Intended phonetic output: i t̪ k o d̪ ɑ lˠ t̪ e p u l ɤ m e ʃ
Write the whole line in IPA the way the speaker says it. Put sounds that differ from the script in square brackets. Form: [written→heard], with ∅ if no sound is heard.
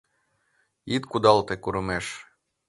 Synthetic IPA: i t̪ k [o→u] d̪ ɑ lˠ t̪ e [p→k] u [l→ɾ] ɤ m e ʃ